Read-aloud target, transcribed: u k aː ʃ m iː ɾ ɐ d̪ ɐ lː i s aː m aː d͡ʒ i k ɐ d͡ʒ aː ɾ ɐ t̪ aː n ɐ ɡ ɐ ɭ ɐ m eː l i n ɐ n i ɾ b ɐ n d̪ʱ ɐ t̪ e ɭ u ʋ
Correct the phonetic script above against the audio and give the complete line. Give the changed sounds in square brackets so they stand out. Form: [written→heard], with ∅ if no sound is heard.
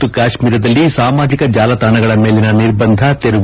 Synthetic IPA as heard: u k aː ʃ m iː ɾ ɐ d̪ ɐ lː i s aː m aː d͡ʒ i k ɐ d͡ʒ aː [ɾ→l] ɐ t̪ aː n ɐ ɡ ɐ ɭ ɐ m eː l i n ɐ n i ɾ b ɐ n d̪ʱ ɐ t̪ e [ɭ→ɾ] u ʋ